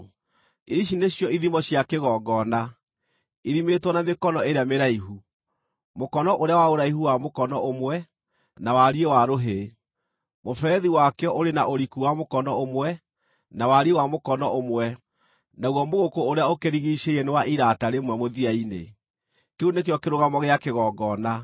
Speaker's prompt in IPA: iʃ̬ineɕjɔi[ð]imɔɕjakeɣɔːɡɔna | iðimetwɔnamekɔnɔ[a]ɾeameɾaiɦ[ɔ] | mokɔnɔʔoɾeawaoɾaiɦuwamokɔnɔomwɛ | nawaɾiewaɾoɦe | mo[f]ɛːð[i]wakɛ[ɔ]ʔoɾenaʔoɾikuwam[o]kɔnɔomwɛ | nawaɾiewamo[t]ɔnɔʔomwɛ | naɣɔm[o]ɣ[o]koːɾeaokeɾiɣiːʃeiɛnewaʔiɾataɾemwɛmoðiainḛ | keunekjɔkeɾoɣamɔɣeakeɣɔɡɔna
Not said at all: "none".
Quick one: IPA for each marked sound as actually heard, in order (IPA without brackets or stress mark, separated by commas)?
ð, e, u, f, i, ɔ, o, k, o, o